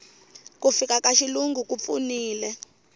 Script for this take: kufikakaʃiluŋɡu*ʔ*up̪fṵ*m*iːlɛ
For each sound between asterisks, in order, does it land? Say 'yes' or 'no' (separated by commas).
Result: no, no